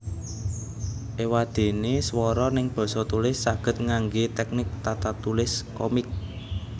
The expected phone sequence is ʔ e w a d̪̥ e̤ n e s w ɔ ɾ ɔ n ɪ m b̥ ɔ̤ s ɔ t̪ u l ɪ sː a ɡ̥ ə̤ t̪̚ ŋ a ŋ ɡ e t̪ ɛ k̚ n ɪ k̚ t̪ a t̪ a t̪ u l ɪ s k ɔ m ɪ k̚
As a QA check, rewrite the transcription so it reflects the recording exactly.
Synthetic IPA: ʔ e w a d̪̥ e̤ n e s w ɔ ɾ ɔ n ɪ ŋ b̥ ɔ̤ s ɔ t̪ u l ɪ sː a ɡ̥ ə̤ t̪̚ ŋ a ŋ ɡ e t̪ ɛ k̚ n ɪ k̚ t̪ a t̪ a t̪ u l ɪ s k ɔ m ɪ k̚